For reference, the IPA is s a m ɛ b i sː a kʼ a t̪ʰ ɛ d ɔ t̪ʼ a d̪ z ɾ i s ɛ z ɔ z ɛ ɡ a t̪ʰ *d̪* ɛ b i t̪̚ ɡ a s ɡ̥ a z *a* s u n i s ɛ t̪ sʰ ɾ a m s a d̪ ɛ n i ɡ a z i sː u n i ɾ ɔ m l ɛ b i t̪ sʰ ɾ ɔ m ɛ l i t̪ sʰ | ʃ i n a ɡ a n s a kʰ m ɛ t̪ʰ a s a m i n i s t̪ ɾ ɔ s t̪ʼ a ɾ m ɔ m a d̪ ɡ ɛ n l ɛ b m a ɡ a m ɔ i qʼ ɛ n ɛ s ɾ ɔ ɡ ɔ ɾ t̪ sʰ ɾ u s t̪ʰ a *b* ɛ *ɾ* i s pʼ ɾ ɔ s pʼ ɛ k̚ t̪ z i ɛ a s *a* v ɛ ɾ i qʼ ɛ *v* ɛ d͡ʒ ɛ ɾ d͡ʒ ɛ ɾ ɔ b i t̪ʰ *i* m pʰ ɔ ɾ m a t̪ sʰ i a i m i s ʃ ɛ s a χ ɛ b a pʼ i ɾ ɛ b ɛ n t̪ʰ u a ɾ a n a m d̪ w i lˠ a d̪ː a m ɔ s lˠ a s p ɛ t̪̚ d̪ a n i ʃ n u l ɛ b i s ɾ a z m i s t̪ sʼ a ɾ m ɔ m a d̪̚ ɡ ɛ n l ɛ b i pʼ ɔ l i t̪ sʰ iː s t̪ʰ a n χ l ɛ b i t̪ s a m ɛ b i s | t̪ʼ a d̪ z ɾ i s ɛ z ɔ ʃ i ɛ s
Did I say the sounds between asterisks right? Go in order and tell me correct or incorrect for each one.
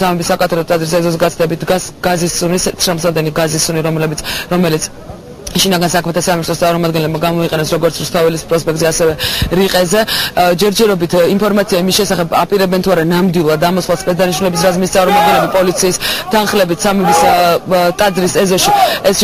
correct, incorrect: i, incorrect: v, incorrect: l, incorrect: ɛ, incorrect: z, correct

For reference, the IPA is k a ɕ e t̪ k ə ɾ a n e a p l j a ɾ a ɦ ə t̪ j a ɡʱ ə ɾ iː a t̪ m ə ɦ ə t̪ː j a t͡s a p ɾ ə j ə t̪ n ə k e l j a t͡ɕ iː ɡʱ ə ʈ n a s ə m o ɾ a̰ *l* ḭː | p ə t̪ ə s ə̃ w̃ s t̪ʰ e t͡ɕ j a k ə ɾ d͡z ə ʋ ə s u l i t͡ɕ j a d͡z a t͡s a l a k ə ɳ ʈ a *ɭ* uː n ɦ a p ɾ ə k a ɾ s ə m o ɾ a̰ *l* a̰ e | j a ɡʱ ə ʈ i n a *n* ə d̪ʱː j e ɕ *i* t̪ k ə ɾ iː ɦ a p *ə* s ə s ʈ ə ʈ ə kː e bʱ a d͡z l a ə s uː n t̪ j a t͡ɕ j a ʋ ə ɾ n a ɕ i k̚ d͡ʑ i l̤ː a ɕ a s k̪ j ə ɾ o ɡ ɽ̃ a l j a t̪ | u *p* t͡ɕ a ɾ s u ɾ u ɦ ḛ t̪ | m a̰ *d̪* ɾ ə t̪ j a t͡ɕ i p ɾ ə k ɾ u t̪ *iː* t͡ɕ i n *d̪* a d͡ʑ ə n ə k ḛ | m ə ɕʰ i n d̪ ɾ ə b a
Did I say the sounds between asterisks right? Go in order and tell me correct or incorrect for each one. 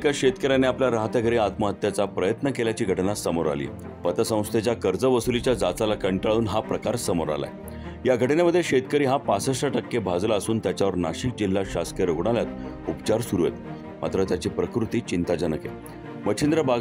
correct, correct, correct, incorrect: m, incorrect: e, incorrect: a, correct, incorrect: t̪, correct, incorrect: t̪

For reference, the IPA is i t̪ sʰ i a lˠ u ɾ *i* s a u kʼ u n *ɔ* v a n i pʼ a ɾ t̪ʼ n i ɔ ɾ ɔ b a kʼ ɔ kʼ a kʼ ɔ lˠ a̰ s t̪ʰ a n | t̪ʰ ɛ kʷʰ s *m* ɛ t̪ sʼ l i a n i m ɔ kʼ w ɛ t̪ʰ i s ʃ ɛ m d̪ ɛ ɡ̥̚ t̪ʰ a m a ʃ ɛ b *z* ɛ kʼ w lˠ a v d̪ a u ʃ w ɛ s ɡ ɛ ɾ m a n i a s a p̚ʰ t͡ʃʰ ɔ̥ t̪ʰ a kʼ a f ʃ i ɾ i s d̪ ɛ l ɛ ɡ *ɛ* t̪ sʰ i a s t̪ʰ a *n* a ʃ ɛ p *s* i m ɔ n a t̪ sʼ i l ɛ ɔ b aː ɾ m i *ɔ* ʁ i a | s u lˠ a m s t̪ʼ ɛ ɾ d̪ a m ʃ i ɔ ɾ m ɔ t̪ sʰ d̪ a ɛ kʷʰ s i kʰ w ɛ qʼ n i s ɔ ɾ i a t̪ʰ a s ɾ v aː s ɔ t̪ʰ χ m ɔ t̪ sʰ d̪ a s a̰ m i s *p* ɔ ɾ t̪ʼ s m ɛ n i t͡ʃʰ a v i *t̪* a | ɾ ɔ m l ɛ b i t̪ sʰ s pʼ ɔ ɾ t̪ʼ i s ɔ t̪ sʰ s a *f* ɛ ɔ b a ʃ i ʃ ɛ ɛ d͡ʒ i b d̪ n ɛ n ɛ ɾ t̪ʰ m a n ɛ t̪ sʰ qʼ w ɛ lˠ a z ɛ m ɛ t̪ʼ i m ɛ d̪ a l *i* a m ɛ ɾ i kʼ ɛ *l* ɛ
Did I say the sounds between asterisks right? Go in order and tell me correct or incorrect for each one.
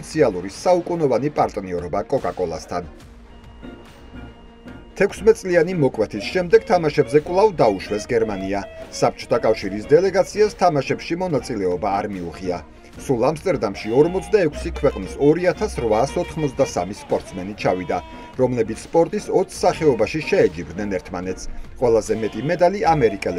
correct, correct, correct, correct, incorrect: a, incorrect: m, incorrect: ʃ, incorrect: u, incorrect: pʼ, incorrect: d̪, incorrect: χ, correct, correct

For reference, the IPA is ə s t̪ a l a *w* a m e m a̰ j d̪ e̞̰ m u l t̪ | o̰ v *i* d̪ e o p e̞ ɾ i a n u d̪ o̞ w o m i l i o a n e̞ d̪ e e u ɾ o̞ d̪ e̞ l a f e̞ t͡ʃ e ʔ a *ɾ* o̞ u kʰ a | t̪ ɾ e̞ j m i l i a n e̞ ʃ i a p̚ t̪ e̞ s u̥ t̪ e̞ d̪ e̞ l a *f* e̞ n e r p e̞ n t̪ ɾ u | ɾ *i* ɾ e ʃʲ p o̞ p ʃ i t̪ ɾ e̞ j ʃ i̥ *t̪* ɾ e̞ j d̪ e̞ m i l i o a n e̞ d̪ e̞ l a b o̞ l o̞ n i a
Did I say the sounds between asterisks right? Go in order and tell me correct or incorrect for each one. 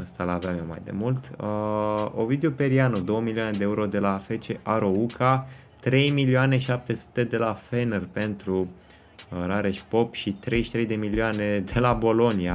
incorrect: v, correct, correct, correct, incorrect: a, correct

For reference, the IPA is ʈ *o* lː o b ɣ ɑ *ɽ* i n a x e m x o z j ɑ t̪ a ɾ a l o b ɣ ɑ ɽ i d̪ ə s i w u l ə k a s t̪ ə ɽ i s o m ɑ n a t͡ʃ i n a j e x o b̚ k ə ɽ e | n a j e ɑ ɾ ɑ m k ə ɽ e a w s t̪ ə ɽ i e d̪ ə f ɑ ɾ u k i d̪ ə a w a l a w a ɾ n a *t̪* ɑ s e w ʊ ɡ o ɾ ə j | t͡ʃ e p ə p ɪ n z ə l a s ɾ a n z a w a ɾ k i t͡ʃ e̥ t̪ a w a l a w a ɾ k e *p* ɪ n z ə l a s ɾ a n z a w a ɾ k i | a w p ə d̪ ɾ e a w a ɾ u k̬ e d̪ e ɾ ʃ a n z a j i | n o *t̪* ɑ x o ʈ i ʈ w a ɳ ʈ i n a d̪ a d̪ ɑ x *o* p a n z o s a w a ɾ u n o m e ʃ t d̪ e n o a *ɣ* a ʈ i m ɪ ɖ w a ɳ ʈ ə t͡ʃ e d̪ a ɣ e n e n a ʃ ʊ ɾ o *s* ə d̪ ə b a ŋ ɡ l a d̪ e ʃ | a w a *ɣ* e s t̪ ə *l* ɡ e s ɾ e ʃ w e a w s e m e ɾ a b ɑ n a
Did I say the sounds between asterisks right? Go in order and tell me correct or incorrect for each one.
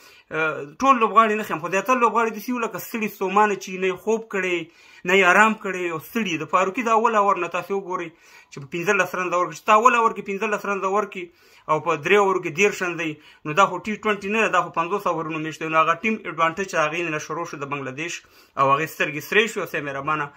correct, correct, correct, correct, incorrect: d̪, correct, correct, incorrect: ʃ, correct, incorrect: ɾ

